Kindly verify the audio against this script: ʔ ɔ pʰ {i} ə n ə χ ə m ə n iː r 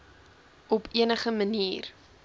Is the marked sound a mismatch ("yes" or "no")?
no